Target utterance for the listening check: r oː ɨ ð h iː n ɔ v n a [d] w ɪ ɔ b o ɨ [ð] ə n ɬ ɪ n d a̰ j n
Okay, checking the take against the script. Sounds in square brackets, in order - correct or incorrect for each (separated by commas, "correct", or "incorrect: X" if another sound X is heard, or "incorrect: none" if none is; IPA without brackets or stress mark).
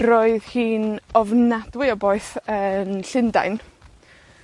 correct, incorrect: θ